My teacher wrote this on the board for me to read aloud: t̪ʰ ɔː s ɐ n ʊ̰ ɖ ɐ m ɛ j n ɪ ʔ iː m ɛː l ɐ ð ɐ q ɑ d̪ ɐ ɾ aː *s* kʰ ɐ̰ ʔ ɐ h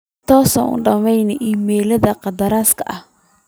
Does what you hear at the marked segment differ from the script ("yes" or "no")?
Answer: no